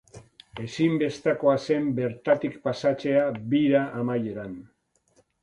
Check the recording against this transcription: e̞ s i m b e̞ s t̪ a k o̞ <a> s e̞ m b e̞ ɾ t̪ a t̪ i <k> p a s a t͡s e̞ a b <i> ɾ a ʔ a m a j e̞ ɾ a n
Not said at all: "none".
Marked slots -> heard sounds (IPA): a, k, i

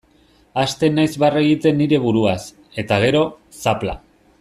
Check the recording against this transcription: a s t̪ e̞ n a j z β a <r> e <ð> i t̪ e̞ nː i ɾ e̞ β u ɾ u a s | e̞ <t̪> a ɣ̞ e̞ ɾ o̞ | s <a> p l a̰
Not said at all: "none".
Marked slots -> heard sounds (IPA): r, ɣ, t̪, a

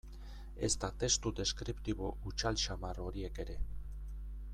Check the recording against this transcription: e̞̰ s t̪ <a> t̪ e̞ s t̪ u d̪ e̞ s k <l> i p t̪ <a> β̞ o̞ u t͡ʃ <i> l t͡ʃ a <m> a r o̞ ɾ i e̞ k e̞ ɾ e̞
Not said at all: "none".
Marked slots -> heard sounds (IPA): a, ɾ, i, a, m

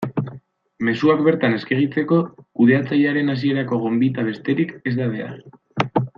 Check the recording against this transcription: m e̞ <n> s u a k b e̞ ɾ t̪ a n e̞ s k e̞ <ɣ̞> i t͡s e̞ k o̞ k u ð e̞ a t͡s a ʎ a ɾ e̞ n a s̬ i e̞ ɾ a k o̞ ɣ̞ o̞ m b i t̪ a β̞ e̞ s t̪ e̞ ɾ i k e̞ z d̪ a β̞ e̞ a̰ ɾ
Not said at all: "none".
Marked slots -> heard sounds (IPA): none, ɣ̞

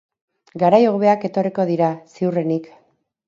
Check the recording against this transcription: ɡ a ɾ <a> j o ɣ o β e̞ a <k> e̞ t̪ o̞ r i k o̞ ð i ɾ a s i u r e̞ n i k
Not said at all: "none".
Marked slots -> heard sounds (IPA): a, k

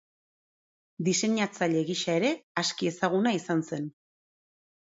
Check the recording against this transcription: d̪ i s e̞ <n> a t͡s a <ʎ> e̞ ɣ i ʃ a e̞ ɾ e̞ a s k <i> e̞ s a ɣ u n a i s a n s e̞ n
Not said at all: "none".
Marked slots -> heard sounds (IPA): ɲ, ʎ, i

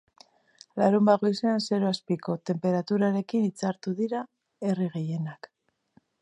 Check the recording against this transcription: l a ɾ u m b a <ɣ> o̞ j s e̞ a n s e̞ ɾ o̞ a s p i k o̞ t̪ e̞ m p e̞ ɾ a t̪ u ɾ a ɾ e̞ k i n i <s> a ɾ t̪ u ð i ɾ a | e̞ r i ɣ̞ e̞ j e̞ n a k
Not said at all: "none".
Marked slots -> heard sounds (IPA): ɣ, t͡s

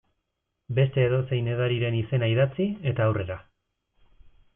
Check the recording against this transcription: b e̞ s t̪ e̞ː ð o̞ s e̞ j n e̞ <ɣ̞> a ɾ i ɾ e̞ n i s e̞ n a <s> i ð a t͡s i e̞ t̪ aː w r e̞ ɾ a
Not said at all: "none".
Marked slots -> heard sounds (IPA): ð̞, none

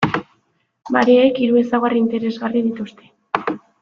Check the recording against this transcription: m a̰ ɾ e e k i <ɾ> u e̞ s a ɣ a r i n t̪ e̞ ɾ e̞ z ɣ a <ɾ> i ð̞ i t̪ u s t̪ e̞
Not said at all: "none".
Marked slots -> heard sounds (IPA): ɾ, r

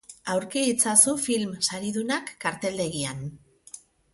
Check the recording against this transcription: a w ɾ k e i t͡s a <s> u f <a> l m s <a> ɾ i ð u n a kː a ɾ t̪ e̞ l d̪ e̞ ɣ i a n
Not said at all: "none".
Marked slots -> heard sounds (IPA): s, i, a

